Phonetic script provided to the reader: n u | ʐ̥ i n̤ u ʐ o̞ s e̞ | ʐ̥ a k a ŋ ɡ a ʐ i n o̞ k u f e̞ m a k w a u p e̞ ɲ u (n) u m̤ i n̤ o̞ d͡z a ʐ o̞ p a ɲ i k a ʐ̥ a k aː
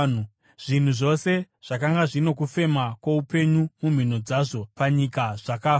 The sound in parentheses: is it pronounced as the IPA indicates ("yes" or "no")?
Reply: no